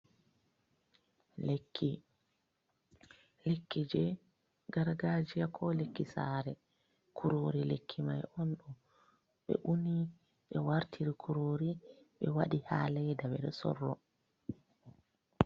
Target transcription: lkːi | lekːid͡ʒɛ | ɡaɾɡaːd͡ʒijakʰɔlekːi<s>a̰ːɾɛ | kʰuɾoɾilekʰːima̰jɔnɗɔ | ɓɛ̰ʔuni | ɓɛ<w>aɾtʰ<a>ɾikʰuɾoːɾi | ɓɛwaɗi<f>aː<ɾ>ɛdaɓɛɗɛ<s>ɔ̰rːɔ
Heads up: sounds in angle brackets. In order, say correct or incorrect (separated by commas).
correct, correct, incorrect, incorrect, incorrect, correct